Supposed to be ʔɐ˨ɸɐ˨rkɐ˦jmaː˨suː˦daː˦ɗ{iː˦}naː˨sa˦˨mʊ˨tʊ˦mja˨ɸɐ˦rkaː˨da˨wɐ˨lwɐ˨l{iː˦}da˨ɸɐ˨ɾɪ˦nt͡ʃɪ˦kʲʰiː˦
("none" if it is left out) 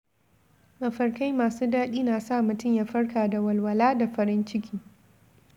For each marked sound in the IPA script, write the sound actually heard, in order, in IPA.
iː˦, aː˦

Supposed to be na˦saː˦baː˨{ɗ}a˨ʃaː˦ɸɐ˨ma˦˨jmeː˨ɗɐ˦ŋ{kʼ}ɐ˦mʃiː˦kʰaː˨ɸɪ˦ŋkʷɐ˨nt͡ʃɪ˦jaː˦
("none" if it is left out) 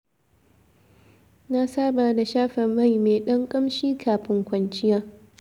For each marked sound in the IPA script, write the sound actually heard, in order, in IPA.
d, kʼ

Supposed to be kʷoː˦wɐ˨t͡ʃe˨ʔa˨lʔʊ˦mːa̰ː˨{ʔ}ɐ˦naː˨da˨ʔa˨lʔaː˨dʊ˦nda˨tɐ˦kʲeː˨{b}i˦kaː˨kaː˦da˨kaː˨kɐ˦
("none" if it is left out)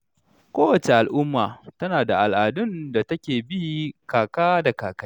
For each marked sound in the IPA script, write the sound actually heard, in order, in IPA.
t, b

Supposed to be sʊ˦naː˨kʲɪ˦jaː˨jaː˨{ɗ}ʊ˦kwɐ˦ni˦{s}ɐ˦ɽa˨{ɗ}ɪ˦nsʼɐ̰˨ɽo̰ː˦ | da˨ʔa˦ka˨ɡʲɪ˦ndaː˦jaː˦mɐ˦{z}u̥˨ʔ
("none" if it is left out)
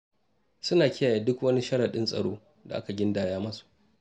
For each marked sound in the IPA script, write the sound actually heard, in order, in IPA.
d, ʃ, ɗ, s

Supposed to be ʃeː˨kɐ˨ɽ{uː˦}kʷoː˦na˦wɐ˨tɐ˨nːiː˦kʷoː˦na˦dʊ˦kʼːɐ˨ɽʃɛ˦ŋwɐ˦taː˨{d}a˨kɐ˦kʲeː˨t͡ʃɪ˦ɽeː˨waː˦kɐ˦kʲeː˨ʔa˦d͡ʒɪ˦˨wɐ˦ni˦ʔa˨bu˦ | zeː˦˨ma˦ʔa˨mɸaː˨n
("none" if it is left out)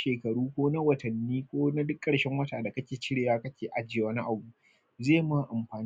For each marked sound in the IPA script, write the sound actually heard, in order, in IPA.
uː˦, d

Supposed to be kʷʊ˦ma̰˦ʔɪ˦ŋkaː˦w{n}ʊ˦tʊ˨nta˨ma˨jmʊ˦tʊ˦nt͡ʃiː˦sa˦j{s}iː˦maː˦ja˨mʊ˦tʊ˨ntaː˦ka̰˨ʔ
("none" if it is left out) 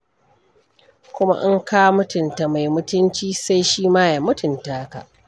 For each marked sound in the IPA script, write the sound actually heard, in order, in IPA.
m, ʃ

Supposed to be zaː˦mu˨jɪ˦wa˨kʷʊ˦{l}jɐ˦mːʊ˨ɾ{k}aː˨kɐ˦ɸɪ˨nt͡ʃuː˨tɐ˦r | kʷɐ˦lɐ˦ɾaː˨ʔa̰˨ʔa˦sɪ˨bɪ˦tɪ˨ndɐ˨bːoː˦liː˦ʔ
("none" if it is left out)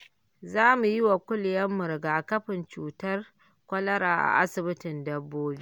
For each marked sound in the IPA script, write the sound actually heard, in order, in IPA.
l, ɡ

